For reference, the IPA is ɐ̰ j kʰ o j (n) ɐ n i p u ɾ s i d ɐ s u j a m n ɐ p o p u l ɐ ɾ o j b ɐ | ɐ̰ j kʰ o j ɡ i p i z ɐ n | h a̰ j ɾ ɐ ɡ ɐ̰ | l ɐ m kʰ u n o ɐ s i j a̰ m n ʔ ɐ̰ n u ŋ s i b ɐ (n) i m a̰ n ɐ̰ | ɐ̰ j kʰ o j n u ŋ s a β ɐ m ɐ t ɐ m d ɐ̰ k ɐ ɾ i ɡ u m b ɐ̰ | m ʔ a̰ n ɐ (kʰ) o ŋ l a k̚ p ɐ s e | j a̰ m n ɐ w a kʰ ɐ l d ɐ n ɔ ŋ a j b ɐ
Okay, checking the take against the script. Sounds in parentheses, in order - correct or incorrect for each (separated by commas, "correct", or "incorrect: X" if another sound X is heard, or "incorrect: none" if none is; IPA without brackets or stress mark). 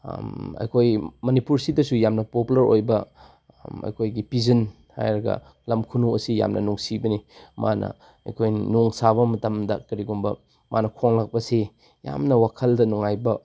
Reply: incorrect: m, correct, correct